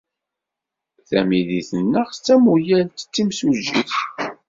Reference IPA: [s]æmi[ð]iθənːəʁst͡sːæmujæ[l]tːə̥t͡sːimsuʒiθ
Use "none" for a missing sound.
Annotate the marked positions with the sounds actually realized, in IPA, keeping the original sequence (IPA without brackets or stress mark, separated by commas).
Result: θ, ð, l